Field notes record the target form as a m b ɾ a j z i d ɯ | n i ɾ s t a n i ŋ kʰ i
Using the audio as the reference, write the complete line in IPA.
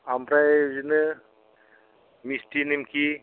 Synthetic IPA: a m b ɾ a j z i n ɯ | m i s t i n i m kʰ i